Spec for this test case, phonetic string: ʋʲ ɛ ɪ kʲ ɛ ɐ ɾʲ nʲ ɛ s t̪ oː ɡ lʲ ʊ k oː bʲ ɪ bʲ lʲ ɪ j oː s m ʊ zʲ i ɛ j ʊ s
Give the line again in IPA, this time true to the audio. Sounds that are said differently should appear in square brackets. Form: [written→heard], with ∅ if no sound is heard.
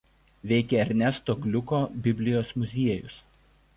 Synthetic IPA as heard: ʋʲ ɛ ɪ kʲ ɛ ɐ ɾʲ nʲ ɛ s t̪ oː ɡ lʲ ʊ k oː bʲ ɪ bʲ lʲ ɪ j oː s m ʊ zʲ i ɛ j ʊ s